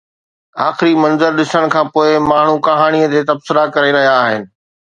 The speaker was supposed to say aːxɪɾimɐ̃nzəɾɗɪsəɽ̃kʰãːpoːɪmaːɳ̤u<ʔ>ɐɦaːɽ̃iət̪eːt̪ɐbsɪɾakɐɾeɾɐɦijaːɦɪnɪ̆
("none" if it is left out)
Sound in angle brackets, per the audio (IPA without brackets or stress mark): k